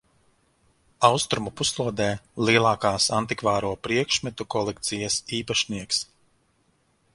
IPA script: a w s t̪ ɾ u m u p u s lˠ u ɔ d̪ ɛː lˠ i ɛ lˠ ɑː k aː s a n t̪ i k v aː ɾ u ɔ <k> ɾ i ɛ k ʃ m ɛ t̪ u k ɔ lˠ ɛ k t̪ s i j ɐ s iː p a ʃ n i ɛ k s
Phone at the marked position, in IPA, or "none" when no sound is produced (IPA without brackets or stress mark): p